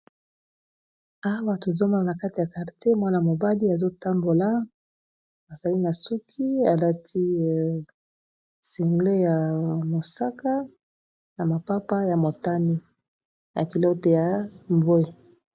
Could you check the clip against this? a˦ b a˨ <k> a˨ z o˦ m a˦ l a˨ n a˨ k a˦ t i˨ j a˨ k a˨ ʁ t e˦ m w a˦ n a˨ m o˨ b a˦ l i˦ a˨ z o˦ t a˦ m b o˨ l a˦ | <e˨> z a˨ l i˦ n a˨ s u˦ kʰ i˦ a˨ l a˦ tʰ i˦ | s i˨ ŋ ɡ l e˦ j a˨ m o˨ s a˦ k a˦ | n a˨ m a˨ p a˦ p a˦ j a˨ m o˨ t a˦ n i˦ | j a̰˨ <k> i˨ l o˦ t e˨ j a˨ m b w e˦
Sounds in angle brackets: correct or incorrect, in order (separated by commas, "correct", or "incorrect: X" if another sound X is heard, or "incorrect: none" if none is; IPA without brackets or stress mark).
incorrect: t, incorrect: a˨, correct